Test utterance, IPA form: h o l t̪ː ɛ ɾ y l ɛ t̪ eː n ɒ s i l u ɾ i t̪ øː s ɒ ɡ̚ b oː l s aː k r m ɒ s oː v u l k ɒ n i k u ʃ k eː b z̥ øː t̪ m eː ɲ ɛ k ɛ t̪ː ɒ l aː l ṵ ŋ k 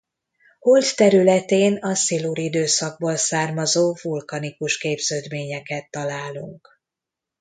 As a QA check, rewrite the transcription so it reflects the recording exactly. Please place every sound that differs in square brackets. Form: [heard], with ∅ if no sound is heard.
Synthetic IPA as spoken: h o l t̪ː ɛ ɾ y l ɛ t̪ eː n ɒ s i l u ɾ i [d̪] øː s ɒ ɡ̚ b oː l s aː [∅] r m ɒ [z] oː v u l k ɒ n i k u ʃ k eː b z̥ øː [d̪] m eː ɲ ɛ k ɛ t̪ː ɒ l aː l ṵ ŋ k